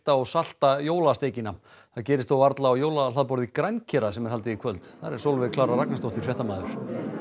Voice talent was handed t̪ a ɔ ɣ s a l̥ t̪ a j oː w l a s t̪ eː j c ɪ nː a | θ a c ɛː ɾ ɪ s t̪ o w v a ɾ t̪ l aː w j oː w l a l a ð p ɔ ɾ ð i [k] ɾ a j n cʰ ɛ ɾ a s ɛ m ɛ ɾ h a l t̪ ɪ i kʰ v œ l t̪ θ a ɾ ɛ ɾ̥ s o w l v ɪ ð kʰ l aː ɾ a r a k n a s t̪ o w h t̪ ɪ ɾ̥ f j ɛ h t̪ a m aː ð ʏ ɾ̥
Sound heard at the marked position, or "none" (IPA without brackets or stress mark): k